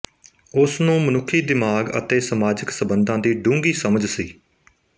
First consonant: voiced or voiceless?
voiceless